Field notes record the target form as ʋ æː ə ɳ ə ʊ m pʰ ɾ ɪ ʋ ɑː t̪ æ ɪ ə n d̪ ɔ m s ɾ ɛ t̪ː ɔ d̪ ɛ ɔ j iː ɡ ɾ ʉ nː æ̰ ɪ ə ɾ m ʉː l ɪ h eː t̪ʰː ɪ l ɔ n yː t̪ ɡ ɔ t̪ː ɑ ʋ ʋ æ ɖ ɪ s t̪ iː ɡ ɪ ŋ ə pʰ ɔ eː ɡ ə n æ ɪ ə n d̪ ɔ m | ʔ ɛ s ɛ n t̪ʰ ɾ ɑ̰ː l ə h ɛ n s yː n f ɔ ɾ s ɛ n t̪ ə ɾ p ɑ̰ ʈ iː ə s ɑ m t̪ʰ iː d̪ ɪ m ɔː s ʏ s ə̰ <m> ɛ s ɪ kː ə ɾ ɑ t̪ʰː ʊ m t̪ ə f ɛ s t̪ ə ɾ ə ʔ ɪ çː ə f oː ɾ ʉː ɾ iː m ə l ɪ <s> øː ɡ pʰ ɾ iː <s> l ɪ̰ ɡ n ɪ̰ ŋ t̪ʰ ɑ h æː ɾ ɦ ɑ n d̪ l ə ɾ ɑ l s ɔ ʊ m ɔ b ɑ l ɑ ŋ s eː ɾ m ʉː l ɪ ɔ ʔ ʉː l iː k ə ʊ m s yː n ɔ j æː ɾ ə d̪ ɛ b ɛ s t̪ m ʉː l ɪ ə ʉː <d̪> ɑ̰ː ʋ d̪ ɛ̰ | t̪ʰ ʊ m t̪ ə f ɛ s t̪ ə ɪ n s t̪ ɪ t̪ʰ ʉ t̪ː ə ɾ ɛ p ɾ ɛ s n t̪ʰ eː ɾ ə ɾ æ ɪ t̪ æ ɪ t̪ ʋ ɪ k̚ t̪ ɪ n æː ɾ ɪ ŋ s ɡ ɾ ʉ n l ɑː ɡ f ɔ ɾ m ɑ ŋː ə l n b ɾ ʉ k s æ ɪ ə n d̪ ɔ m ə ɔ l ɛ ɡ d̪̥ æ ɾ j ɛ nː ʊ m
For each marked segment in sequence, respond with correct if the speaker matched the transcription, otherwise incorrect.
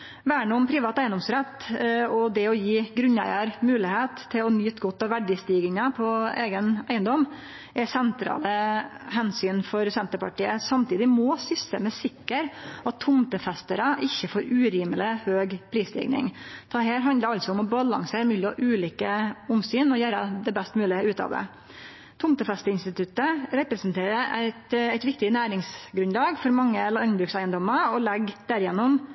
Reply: correct, incorrect, correct, incorrect

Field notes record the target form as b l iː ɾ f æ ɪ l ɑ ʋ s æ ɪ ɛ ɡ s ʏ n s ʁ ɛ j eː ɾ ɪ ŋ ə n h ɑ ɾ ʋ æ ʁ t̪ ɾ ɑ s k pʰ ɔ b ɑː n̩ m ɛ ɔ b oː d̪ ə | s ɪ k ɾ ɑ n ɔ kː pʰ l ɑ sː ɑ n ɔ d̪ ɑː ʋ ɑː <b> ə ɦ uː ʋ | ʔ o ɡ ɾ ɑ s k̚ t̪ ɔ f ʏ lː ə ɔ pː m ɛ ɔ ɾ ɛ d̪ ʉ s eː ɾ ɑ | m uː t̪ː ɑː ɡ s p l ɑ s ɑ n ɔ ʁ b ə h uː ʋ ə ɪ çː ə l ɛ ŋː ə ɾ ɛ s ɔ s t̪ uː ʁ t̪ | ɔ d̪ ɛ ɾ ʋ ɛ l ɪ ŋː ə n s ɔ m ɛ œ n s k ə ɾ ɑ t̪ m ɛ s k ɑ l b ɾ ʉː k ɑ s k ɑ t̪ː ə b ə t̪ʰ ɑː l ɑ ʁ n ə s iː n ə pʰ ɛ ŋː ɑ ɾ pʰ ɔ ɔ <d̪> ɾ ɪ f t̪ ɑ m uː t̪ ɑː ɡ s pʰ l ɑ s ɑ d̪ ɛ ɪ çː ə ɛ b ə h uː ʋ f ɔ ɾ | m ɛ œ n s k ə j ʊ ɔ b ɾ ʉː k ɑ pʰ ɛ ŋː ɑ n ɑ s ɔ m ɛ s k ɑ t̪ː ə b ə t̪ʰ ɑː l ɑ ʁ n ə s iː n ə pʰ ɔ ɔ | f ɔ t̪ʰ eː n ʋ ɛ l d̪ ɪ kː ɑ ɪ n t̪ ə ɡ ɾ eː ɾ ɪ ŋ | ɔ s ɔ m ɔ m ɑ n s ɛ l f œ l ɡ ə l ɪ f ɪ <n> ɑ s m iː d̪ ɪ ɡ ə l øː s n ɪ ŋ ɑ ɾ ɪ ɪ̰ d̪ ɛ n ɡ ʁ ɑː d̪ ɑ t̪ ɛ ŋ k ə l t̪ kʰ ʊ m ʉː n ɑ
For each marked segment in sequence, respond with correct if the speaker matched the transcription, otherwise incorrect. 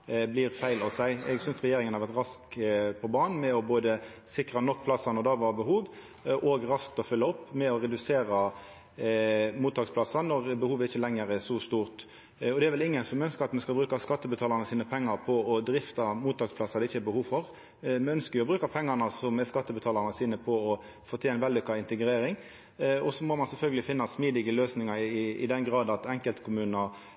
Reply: correct, correct, incorrect

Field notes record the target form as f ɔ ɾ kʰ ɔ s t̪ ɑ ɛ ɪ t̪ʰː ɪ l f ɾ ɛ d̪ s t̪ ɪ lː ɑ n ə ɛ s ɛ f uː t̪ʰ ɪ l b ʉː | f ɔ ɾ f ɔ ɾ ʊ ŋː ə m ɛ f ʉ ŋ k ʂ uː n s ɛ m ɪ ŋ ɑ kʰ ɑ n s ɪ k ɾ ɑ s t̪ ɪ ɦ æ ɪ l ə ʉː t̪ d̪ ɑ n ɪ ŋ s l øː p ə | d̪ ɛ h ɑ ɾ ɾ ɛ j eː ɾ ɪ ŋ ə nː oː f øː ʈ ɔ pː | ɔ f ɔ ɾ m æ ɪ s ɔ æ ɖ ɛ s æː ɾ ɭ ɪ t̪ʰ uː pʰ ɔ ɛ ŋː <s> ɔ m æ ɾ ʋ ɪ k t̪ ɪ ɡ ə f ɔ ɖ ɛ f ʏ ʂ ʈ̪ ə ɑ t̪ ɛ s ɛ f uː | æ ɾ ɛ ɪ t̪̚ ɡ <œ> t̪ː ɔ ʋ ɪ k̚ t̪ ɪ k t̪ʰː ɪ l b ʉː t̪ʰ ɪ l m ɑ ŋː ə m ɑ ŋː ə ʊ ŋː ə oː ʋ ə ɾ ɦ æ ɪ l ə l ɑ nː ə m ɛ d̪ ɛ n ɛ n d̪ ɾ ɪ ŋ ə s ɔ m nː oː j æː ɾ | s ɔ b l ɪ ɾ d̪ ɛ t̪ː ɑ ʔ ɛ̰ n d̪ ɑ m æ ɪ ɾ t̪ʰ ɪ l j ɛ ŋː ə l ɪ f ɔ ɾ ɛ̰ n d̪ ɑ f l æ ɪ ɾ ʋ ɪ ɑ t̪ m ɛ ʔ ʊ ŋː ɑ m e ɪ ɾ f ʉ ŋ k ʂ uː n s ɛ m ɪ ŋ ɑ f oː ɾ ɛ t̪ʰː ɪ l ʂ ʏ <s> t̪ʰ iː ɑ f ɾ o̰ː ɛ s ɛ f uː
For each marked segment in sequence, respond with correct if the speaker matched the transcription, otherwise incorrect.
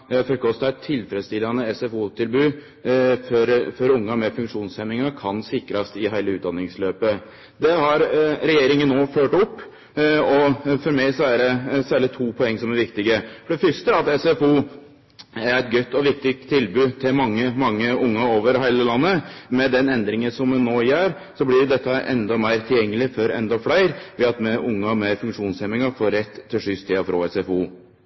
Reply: correct, correct, correct

